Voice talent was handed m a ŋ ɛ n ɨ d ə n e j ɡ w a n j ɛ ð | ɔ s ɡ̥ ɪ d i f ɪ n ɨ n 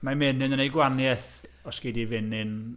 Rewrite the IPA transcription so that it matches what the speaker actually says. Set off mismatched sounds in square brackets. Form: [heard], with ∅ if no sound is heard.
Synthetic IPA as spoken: m a [m] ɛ n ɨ [n] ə n e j ɡ w a n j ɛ [θ] | ɔ s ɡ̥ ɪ d i [v] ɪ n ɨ n